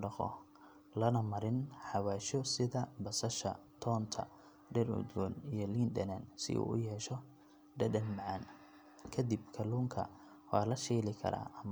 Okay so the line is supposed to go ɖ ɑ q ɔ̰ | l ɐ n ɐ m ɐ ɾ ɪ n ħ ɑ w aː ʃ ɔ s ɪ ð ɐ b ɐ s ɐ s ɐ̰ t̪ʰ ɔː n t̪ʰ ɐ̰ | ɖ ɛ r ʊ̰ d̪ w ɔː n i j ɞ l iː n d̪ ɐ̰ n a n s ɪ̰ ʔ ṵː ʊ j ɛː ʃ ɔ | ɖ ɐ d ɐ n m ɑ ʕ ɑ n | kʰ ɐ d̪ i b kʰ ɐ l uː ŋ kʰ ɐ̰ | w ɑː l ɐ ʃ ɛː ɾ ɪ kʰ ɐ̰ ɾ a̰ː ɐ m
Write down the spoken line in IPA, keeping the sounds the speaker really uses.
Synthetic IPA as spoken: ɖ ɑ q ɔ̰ | l ɐ n ɐ m ɐ ɾ ɪ n ħ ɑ w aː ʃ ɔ s ɪ ð ɐ b ɐ s ɐ ʃ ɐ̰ t̪ʰ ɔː n t̪ʰ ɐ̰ | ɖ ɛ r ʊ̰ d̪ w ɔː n i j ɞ l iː n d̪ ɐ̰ n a n s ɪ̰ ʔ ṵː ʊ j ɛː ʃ ɔ | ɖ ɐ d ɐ n m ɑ ʕ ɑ n | kʰ ɐ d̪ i b kʰ ɐ l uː ŋ kʰ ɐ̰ | w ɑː l ɐ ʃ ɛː l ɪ kʰ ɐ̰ ɾ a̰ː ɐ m